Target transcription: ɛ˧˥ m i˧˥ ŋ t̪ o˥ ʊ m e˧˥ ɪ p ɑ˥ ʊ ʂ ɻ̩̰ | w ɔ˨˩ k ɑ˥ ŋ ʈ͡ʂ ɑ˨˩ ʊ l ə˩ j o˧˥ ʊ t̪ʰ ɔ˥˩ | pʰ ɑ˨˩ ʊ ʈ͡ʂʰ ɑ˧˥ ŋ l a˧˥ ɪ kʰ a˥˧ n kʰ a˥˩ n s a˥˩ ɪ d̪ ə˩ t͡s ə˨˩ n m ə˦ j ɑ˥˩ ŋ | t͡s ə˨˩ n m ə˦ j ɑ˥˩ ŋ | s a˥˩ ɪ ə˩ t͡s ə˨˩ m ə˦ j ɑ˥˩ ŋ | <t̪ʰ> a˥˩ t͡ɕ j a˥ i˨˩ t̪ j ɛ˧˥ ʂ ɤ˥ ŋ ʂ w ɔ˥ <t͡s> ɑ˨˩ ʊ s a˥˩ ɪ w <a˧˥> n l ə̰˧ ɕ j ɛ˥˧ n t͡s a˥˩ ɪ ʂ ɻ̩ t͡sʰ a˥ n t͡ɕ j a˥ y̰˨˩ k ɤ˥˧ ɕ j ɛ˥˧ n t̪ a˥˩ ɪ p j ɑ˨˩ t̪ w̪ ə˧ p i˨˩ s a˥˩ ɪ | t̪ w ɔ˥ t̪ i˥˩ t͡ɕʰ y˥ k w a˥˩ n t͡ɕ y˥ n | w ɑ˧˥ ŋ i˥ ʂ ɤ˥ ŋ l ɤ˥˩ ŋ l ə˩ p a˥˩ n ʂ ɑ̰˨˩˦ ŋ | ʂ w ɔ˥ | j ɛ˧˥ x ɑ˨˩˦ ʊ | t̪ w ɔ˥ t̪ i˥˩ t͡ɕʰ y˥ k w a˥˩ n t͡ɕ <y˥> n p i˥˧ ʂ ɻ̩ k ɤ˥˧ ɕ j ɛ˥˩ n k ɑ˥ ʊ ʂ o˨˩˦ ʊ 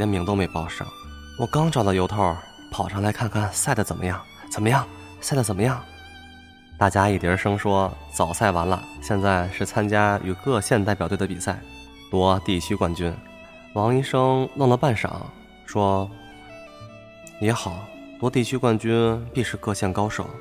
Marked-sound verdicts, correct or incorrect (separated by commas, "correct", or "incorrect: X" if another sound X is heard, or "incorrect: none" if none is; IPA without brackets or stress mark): incorrect: t̪, correct, correct, correct